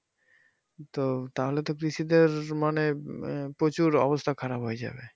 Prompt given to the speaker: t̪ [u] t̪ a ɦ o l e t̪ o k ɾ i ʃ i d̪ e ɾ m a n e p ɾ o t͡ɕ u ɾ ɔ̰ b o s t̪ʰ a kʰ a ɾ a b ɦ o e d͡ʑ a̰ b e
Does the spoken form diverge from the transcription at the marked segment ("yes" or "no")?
yes